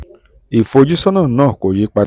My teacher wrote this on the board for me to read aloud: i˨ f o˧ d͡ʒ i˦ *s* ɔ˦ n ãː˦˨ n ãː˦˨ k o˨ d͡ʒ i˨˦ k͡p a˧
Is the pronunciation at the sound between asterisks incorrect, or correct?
correct